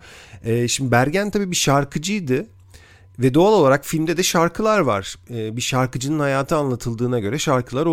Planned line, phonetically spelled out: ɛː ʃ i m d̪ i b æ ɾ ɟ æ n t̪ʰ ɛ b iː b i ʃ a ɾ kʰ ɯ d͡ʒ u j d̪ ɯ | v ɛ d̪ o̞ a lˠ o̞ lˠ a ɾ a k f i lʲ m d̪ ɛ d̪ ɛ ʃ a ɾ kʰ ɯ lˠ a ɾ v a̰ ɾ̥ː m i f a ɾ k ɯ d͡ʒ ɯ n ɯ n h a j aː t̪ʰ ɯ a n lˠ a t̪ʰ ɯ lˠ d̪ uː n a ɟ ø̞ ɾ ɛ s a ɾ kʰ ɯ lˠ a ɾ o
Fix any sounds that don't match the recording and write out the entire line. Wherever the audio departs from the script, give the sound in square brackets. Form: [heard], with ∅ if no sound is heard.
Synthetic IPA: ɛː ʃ i m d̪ i b æ ɾ ɟ æ n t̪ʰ [a] b iː b i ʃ a ɾ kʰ ɯ d͡ʒ [ɯ] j d̪ ɯ | v ɛ d̪ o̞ a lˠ o̞ lˠ a ɾ a k f i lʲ m d̪ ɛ d̪ ɛ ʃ a ɾ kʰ ɯ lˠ a ɾ v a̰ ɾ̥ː [b] i [ʃ] a ɾ k ɯ d͡ʒ ɯ n ɯ n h a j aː t̪ʰ ɯ a n lˠ a t̪ʰ ɯ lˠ d̪ [ɯː] n a ɟ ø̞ ɾ ɛ [ʃ] a ɾ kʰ ɯ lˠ a ɾ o